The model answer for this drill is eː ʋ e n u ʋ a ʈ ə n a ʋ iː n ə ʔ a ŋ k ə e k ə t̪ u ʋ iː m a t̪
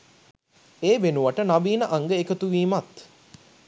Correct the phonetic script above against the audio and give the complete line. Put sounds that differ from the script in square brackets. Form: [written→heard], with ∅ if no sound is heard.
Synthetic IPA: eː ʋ e n u ʋ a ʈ ə n a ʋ iː n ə ʔ a ŋ [k→ɡ] ə e k ə t̪ u ʋ iː m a t̪